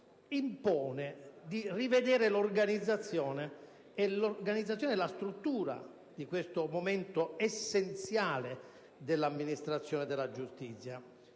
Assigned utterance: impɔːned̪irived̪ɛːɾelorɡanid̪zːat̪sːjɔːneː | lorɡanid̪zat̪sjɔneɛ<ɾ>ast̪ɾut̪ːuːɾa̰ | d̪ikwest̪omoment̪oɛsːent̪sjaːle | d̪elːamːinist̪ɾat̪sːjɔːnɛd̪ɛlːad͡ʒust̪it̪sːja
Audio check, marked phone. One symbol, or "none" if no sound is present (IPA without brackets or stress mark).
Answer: l